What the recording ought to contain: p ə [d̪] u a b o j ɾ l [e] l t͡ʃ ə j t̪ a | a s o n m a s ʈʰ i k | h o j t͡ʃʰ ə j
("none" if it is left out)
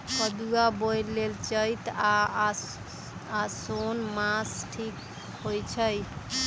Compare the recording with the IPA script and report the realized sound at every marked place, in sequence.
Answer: d̪, e

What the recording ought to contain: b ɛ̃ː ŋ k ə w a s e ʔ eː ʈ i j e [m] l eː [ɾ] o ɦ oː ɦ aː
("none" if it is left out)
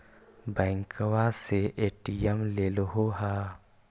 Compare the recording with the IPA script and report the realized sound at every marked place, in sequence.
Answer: m, l

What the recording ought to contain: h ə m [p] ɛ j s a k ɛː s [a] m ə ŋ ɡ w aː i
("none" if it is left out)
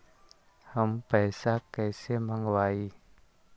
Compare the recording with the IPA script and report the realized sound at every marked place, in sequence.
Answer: p, e

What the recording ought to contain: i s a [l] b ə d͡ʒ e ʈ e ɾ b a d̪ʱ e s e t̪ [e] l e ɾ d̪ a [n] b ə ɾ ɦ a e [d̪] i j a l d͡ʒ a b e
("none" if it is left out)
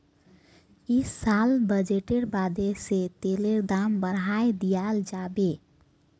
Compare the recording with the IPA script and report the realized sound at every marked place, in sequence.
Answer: l, e, m, d̪

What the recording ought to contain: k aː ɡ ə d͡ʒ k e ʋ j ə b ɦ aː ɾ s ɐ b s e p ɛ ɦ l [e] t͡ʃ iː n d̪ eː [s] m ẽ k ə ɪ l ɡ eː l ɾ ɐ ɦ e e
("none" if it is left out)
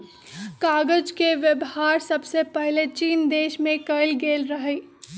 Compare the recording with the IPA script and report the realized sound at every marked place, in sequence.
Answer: e, ʃ

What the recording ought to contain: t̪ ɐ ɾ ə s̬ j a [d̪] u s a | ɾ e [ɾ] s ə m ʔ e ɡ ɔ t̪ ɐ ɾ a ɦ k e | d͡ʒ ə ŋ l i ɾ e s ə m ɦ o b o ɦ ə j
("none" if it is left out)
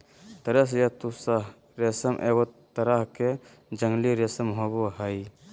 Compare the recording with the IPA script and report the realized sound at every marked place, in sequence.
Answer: t̪, none

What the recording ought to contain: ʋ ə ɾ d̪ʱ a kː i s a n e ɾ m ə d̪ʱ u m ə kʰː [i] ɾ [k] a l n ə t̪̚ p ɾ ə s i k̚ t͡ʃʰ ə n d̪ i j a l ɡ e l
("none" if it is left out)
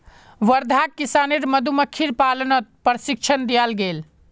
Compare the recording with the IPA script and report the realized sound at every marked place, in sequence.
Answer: i, p

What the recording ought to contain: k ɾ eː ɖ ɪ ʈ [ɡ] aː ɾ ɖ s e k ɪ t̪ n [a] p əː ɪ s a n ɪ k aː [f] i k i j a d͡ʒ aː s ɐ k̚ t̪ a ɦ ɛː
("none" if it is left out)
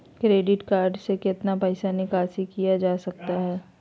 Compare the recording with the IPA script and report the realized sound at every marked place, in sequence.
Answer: k, a, s

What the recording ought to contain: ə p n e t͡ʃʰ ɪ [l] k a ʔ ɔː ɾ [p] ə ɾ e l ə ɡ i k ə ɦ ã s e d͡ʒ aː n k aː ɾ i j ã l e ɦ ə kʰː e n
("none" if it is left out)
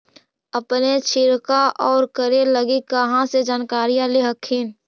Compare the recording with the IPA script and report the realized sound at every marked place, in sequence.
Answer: ɾ, k

